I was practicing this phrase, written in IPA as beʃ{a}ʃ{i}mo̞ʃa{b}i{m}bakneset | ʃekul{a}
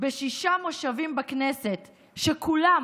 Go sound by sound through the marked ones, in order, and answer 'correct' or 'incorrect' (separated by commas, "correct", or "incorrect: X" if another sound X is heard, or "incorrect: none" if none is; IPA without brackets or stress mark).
incorrect: i, incorrect: a, incorrect: v, correct, correct